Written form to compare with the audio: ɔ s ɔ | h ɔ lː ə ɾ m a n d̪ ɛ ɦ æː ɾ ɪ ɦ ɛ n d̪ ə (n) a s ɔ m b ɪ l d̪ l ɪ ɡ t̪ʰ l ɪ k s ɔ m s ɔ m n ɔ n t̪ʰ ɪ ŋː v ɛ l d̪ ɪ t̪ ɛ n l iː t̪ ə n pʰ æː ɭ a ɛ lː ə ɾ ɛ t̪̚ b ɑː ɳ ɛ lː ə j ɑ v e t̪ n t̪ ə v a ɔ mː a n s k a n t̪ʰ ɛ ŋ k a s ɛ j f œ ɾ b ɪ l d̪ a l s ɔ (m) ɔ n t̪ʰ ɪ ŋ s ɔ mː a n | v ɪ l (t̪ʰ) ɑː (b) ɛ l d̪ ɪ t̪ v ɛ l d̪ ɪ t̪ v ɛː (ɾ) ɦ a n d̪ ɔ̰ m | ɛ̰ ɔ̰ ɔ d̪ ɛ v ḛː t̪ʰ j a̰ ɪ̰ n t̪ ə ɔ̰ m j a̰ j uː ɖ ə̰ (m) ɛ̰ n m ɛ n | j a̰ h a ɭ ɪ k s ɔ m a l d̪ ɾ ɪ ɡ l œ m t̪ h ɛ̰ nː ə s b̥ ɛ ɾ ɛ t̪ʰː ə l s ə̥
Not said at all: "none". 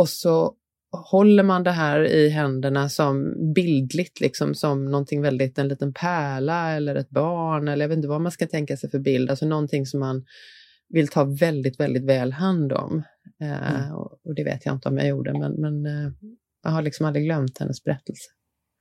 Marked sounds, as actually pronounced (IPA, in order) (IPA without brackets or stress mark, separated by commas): ɳ, n, t̪ʰ, v, l, m